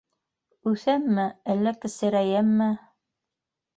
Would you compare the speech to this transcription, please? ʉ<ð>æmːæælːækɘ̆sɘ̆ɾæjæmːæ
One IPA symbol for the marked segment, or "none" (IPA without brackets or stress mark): θ